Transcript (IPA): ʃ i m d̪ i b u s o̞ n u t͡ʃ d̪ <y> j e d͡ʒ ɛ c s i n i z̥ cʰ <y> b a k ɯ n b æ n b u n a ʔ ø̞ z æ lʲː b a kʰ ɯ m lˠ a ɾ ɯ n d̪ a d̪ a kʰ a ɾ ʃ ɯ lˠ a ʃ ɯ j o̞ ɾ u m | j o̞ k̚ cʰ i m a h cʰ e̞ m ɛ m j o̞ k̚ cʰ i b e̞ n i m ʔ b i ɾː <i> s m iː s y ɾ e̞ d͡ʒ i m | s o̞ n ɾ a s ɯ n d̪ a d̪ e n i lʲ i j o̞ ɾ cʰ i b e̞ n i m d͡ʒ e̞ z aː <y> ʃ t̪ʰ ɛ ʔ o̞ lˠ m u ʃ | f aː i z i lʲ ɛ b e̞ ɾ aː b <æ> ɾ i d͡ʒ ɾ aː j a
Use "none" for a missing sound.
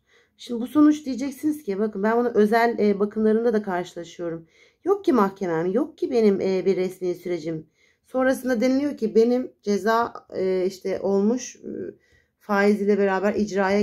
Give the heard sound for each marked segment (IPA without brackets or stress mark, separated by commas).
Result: i, i, ɛ, i, æ